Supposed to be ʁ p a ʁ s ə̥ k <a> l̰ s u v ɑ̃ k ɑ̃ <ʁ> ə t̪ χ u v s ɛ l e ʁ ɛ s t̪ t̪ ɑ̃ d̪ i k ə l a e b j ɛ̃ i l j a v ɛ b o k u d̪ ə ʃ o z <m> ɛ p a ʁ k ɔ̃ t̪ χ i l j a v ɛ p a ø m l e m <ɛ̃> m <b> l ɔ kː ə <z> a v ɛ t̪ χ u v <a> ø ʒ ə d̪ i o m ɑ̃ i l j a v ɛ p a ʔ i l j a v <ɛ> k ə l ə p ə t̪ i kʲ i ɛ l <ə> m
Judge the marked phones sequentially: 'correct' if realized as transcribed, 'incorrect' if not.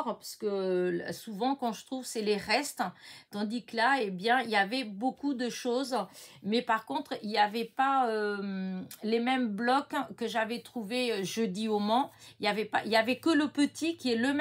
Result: incorrect, incorrect, correct, incorrect, correct, incorrect, incorrect, correct, correct

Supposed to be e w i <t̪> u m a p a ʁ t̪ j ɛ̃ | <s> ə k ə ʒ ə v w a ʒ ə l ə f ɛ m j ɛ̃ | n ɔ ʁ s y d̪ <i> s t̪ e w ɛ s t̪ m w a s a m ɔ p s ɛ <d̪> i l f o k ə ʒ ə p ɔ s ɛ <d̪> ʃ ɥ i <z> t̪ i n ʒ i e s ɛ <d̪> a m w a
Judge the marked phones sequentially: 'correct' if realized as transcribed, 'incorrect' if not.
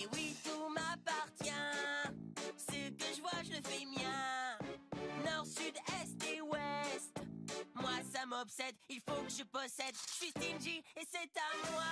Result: correct, correct, incorrect, correct, correct, incorrect, incorrect

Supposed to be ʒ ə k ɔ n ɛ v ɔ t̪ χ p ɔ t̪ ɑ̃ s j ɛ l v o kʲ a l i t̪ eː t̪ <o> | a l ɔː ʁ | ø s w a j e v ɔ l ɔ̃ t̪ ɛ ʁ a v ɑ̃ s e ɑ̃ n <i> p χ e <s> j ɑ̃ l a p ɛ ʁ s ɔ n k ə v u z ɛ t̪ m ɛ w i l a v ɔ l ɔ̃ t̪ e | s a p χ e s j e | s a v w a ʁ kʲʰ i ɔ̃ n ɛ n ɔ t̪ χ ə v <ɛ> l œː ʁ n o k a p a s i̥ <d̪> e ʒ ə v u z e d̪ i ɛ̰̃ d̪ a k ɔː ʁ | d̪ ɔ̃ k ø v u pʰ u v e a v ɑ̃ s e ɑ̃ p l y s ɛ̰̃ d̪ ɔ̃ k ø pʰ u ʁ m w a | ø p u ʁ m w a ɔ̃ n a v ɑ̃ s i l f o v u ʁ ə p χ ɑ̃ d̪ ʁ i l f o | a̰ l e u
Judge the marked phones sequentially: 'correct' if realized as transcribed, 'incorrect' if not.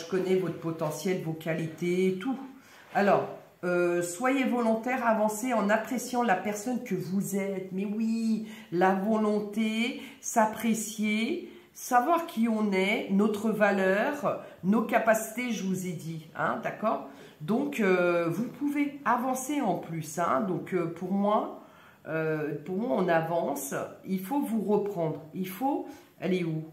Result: incorrect, incorrect, correct, incorrect, incorrect

